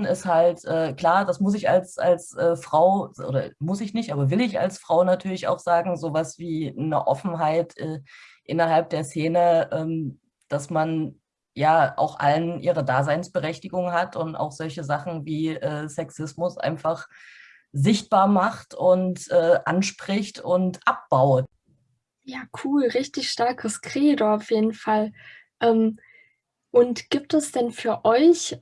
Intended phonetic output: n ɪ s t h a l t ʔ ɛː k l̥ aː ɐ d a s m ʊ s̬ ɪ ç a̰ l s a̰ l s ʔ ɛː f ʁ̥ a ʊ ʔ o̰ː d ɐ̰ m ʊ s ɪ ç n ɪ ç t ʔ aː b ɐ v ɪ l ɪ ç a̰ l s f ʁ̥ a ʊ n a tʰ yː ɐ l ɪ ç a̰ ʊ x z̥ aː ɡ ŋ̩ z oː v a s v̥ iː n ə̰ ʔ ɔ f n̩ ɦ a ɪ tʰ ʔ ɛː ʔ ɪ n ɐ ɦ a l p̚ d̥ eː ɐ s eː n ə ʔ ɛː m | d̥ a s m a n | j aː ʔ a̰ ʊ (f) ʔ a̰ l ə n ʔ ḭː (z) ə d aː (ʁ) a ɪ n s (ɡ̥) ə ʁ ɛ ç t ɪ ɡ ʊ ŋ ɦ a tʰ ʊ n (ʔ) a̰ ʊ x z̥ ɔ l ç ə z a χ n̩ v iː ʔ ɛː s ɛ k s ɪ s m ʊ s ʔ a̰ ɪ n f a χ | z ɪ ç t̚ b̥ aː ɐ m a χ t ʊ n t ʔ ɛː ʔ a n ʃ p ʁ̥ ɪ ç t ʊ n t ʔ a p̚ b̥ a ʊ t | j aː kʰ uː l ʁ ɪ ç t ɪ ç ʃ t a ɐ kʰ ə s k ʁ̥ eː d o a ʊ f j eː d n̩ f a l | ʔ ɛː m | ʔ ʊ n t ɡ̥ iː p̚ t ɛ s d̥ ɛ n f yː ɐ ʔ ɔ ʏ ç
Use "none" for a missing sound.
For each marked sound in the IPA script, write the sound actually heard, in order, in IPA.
x, ʁ, z, b̥, t

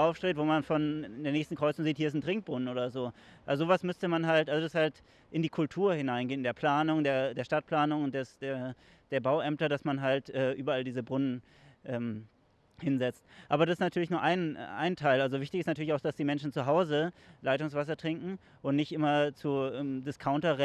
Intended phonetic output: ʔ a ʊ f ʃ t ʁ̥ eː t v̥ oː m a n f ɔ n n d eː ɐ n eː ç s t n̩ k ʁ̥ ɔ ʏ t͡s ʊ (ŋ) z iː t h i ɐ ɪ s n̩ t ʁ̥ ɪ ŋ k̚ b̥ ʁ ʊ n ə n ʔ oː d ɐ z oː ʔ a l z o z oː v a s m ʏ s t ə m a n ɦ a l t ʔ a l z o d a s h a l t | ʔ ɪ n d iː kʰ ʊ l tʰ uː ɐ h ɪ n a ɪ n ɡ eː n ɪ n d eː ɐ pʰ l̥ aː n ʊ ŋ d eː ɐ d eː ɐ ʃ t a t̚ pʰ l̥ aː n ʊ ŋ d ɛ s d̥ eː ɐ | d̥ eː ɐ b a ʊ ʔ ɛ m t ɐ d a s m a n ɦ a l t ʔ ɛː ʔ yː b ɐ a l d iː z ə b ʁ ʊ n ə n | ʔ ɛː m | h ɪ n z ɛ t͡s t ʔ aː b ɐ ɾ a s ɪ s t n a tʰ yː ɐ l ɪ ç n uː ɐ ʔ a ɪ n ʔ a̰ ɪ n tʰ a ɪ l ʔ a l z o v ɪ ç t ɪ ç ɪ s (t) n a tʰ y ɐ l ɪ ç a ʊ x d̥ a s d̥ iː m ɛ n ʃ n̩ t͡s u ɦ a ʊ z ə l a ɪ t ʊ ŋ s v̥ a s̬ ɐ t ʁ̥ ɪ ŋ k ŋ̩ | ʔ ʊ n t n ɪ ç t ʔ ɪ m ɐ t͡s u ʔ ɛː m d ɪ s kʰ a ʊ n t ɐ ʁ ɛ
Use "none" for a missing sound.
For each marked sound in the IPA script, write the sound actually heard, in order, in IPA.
ŋ, t

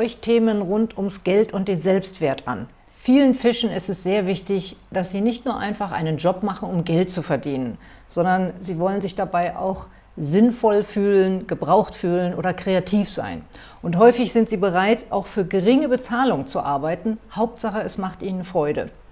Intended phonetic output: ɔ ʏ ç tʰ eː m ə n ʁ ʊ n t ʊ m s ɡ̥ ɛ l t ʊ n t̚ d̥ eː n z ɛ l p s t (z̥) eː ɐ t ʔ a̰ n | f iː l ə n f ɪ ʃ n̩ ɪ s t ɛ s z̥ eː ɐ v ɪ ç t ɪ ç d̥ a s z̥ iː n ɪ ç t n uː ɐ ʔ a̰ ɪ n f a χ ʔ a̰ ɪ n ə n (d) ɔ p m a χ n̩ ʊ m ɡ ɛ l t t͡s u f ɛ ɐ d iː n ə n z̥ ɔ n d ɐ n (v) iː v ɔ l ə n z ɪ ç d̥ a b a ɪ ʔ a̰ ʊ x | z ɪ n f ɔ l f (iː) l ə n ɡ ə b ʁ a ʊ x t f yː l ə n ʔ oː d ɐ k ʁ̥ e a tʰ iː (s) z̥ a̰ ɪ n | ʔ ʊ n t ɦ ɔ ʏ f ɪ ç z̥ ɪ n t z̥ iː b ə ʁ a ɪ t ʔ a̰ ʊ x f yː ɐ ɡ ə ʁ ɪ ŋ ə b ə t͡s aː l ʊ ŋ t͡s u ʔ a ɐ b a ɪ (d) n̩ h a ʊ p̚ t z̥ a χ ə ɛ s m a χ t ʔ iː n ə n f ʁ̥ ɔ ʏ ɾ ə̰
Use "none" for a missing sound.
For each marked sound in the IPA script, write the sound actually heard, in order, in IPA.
v̥, d͡ʒ, z, yː, f, t

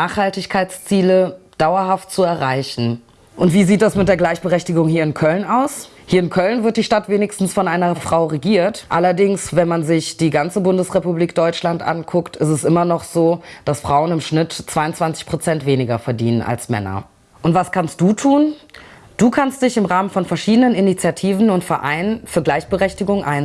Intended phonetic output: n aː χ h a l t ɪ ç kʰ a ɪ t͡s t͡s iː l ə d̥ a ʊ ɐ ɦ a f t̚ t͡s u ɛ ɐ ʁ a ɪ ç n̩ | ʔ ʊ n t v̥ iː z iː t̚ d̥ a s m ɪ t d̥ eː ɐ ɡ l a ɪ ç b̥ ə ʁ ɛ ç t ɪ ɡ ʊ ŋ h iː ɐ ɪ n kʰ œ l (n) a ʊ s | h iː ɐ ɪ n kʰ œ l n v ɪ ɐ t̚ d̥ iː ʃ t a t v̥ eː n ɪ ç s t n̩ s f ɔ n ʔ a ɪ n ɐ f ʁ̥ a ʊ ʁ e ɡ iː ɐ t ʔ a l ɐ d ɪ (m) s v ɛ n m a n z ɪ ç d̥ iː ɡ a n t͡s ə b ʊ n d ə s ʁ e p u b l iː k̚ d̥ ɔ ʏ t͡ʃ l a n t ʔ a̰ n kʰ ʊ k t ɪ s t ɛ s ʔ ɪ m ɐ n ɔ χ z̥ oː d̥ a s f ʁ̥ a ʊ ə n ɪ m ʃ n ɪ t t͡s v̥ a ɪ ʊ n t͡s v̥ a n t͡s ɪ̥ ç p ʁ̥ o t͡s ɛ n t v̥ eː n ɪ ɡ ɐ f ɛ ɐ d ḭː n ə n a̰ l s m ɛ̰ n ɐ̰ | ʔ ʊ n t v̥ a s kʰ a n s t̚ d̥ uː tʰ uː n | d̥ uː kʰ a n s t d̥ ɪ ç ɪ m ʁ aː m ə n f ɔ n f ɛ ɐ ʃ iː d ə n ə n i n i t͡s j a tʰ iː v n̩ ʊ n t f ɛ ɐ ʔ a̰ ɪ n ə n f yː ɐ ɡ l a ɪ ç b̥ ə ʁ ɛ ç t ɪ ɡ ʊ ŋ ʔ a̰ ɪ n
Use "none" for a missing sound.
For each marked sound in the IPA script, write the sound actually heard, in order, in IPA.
n, ŋ

